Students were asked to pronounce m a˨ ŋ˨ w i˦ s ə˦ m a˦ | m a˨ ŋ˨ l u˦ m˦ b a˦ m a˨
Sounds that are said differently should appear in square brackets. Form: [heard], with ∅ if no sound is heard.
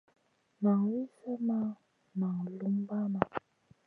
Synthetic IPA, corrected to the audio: m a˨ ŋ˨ w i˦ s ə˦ m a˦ | m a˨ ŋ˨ l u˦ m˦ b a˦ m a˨